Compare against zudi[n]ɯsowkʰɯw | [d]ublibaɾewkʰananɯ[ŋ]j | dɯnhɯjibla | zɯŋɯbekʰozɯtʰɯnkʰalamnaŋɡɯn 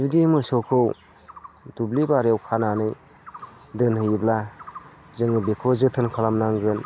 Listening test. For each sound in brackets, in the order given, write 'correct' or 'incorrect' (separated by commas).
incorrect, correct, incorrect